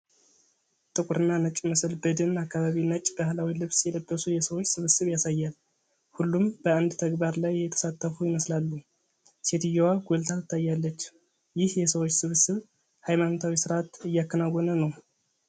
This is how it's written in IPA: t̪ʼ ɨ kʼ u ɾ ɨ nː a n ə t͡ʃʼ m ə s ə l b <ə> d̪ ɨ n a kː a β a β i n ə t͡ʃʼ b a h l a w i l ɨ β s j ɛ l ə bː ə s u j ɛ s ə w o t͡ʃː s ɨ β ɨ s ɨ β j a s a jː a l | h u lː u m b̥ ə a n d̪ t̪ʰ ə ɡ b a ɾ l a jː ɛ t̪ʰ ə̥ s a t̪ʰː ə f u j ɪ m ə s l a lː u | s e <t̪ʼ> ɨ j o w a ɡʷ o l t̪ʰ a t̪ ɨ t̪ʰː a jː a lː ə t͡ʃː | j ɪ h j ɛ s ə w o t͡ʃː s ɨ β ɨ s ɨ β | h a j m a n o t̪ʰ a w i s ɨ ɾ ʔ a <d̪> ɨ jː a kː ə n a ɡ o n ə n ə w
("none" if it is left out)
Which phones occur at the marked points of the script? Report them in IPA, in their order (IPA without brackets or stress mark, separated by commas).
ə, t̪, t̪